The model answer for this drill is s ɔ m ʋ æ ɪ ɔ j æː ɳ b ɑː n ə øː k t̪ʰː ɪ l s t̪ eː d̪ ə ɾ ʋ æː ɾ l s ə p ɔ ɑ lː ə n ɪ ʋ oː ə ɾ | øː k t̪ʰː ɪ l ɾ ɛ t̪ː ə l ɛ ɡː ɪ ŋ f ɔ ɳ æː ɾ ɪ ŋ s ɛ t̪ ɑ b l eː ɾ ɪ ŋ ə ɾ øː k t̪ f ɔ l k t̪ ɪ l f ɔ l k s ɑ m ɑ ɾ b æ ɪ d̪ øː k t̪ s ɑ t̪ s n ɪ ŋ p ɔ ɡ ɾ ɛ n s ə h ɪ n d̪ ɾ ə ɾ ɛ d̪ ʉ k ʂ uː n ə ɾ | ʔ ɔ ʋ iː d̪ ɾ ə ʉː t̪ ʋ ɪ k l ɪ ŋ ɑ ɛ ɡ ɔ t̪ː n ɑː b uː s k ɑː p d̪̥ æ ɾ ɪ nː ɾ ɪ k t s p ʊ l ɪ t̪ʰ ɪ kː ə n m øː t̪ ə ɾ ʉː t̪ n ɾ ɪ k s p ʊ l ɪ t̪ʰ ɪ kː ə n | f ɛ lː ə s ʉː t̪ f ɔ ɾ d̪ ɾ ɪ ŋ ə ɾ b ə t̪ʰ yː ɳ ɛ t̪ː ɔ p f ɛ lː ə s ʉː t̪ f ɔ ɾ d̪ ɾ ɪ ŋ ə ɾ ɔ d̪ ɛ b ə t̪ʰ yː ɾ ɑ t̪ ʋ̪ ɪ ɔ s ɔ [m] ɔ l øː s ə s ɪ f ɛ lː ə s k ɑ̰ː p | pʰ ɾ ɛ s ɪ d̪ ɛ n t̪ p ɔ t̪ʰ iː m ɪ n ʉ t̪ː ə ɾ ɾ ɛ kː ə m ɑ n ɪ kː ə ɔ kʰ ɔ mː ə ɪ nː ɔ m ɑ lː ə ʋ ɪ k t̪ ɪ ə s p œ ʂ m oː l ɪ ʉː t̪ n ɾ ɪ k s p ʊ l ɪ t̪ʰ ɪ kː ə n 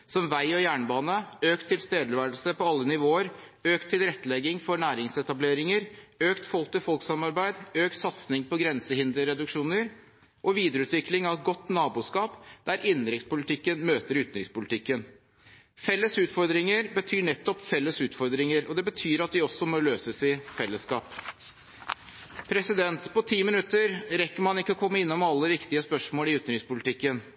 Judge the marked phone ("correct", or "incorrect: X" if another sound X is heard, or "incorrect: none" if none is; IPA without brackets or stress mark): correct